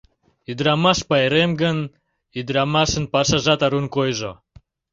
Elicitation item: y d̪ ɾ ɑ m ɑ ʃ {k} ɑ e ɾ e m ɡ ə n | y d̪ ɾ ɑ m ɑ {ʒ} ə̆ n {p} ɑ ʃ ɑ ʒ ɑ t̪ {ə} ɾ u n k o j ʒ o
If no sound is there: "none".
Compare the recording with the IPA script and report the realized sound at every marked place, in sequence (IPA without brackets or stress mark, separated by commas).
p, ʃ, p, ɑ